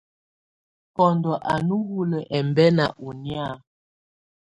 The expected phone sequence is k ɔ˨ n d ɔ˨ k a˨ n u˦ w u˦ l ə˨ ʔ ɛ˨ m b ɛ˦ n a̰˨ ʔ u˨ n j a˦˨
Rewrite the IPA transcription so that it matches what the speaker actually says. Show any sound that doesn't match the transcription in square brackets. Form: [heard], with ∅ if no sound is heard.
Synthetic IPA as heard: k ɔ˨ n d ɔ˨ [ʔ] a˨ n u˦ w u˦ l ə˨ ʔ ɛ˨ m b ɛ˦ n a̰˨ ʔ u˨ n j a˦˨